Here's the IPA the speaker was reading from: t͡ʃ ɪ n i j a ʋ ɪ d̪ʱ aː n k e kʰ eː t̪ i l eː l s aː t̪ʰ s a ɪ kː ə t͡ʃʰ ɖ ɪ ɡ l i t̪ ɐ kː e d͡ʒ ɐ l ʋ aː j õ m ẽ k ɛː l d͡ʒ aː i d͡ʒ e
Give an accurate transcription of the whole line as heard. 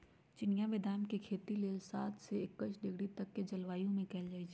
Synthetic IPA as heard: t͡ʃ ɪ n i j a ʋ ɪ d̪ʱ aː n k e kʰ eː t̪ i l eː l s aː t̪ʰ s e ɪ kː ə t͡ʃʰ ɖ ɪ ɡ ɽ i t̪ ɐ kː e d͡ʒ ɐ l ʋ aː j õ m ẽ k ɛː l d͡ʒ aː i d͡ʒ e